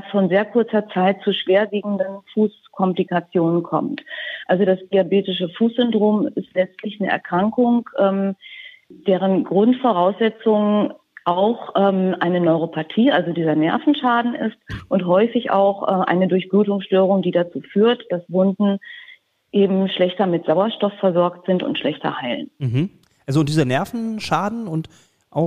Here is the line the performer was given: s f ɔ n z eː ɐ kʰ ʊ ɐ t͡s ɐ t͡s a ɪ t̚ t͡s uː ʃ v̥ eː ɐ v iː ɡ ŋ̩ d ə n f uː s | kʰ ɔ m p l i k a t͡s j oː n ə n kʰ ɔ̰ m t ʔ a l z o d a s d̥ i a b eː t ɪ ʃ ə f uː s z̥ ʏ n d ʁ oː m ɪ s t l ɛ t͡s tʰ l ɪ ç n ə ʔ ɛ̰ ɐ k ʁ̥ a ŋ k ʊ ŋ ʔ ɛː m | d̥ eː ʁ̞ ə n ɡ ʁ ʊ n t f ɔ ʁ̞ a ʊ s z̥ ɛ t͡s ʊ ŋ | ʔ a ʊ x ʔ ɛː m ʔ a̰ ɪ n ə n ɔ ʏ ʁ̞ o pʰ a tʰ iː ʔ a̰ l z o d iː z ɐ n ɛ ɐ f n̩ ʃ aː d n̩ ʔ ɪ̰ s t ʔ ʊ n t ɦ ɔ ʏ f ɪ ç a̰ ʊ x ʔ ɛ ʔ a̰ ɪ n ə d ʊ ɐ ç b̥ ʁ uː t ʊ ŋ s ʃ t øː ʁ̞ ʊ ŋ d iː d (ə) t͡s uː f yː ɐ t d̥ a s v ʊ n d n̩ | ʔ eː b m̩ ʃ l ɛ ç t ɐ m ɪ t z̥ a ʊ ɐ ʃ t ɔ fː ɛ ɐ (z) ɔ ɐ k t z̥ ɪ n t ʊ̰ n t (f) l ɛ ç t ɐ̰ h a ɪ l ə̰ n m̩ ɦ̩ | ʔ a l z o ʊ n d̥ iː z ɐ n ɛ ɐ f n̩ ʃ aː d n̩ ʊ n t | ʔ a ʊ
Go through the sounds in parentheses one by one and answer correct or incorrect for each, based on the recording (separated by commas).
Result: incorrect, correct, incorrect